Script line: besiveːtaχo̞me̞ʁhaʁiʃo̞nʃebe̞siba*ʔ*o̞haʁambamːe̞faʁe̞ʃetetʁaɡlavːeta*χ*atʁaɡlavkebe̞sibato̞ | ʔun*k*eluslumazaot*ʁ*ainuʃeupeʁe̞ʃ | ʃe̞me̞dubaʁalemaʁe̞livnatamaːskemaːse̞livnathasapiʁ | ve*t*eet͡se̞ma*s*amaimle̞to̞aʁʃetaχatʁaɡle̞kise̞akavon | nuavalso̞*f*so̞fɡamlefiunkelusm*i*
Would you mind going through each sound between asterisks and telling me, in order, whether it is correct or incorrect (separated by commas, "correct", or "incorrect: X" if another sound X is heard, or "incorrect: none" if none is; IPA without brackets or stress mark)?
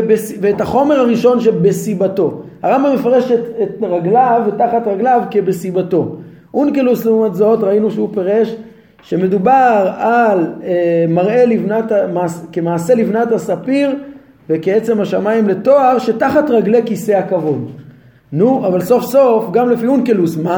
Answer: incorrect: t, correct, correct, correct, incorrect: k, incorrect: ʃ, correct, incorrect: a